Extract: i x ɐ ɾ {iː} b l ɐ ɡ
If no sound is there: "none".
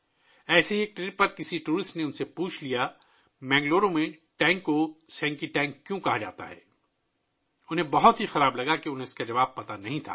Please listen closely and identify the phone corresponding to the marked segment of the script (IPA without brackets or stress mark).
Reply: aː